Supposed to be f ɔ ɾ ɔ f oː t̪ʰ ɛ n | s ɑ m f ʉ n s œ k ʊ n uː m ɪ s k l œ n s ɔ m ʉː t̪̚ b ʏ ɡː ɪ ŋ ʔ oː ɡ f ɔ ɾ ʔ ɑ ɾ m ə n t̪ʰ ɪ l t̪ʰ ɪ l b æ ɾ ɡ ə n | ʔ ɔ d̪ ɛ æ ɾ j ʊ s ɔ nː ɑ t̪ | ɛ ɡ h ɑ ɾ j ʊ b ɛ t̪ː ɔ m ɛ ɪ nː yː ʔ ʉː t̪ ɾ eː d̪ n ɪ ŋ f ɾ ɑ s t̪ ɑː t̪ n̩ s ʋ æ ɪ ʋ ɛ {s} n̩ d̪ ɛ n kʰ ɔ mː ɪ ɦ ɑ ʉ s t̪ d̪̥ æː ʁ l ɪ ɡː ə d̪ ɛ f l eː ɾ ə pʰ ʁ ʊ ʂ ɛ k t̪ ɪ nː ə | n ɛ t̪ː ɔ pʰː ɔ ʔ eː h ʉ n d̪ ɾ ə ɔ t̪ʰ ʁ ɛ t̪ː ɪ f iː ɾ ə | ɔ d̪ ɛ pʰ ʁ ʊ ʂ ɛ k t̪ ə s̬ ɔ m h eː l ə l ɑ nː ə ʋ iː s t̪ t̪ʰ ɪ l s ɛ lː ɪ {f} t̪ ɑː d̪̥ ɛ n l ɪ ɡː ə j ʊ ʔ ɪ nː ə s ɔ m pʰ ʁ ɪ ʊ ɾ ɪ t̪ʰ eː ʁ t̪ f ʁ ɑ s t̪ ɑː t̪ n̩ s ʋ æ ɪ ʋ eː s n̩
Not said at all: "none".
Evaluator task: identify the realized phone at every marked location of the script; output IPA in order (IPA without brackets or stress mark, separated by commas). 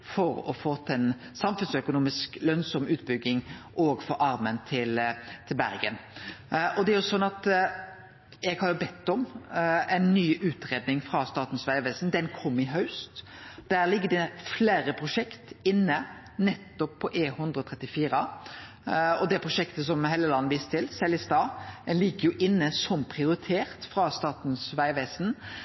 s, s